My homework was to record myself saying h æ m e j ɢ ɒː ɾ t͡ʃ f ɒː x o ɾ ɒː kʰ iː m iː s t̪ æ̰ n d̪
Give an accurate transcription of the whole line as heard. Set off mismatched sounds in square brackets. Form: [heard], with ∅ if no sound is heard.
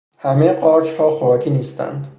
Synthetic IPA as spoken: h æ m e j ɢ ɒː ɾ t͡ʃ [h] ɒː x o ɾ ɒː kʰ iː [n] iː s t̪ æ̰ n d̪